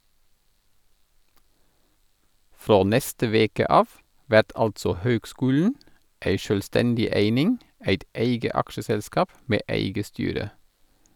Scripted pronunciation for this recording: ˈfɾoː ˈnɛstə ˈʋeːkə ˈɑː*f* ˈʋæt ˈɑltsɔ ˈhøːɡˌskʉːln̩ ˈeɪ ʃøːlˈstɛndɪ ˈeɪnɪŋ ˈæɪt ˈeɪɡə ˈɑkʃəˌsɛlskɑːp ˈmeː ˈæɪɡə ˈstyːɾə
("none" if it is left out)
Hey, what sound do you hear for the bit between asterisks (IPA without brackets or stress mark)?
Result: f